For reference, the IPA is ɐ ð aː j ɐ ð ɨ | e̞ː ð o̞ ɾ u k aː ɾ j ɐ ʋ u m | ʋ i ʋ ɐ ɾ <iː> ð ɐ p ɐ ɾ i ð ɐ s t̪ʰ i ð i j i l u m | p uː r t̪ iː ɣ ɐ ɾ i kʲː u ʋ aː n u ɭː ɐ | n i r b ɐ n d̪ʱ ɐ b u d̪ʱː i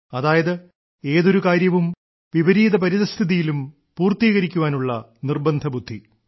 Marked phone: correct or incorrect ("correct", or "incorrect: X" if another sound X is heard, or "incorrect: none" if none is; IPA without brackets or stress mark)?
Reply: correct